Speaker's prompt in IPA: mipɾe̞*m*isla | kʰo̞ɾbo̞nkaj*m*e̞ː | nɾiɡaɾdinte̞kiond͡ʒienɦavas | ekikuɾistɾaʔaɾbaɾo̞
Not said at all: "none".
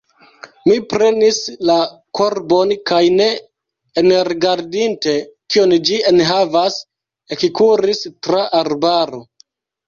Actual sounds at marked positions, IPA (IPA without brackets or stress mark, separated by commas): n, n